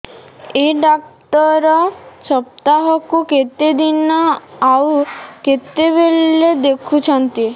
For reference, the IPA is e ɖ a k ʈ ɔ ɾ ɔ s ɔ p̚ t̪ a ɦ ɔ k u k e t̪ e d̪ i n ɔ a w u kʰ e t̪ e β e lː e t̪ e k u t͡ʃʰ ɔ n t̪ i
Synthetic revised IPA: e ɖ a k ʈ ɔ ɾ ɔ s ɔ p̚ t̪ a ɦ ɔ k u k e t̪ e d̪ i n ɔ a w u k e t̪ e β e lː e d̪ e kʰ u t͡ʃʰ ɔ n t̪ i